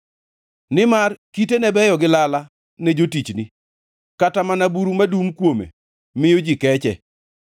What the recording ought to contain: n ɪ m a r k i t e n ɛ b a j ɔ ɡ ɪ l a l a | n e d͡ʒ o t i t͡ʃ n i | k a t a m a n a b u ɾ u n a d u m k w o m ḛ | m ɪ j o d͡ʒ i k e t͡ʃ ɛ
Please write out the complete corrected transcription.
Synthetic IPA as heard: n ɪ m a r k i t e n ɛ b ɛ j ɔ ɡ ɪ l a l a | n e d͡ʒ o t i t͡ʃ n i | k a t a m a n a b u ɾ u m a d u m k w o m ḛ | m ɪ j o d͡ʒ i k ɛ t͡ʃ ɛ